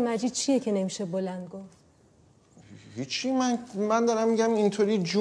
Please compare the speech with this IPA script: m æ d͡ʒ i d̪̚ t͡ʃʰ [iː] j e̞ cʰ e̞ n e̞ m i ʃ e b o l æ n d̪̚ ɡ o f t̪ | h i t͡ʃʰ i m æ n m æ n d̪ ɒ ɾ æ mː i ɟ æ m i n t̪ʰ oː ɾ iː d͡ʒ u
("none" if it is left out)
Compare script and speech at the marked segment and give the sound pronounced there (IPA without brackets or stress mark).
i